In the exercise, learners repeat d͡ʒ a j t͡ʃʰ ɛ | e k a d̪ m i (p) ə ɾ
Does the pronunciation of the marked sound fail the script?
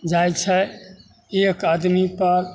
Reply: no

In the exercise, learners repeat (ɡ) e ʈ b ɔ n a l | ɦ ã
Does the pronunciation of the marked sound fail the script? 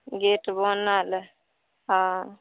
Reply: no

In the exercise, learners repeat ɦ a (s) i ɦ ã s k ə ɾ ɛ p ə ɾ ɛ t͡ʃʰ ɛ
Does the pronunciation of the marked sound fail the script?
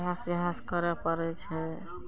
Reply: no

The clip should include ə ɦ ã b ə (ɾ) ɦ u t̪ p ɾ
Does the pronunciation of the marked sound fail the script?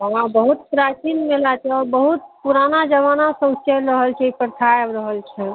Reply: yes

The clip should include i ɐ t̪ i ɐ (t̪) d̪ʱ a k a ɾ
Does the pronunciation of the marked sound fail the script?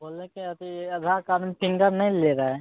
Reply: yes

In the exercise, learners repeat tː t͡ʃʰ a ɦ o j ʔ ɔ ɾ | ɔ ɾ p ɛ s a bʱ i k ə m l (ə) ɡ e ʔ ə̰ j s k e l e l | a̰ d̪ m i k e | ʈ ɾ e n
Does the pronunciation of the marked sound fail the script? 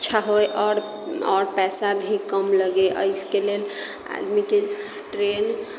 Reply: no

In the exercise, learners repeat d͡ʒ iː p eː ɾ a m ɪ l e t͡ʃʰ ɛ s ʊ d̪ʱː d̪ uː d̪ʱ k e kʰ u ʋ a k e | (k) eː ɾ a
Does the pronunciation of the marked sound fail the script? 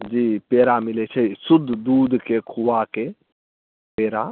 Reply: yes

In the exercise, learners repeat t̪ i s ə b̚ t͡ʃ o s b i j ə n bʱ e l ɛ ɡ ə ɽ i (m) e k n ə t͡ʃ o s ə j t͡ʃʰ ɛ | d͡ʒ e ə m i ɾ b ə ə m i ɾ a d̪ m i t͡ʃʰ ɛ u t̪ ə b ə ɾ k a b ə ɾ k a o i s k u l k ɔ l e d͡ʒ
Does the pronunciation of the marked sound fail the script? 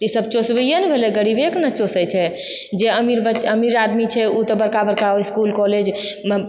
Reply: yes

